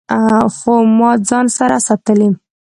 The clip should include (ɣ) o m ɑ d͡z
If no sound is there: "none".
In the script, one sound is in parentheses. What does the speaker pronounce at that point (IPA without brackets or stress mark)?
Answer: x